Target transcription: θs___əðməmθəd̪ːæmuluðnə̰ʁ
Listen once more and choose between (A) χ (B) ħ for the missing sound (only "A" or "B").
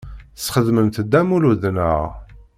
A